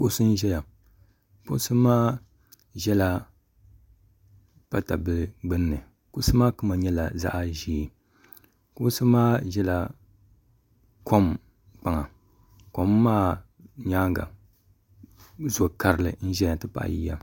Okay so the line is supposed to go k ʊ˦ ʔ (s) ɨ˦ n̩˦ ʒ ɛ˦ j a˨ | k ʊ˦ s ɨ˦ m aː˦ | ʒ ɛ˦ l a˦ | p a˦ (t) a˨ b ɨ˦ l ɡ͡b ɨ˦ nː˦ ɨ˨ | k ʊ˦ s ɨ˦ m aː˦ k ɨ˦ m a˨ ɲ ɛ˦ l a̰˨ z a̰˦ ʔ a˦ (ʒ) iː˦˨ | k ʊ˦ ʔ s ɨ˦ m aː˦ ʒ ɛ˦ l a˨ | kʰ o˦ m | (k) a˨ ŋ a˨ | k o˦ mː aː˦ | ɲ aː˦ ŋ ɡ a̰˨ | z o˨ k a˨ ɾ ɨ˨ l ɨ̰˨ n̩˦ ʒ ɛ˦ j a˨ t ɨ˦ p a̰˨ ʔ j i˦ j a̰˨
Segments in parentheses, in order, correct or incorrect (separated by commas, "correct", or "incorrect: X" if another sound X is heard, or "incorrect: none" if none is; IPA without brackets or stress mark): correct, correct, correct, incorrect: k͡p